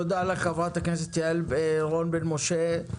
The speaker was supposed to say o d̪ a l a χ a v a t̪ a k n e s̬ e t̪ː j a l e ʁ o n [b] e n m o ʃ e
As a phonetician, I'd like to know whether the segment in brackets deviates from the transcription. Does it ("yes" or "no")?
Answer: no